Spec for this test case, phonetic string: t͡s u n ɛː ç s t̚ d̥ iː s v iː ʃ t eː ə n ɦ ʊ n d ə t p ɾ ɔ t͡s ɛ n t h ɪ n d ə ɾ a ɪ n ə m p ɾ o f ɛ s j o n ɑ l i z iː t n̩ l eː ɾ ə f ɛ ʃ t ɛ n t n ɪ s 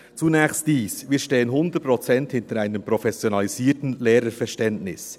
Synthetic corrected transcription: t͡s u n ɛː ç s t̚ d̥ iː s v iː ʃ t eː ə n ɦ ʊ n d ə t p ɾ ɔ t͡s ɛ n t h ɪ n t ə ɾ a ɪ n ə m p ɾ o f ɛ s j o n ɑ l i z iː t n̩ l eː ɾ ə f ɛ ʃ t ɛ n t n ɪ s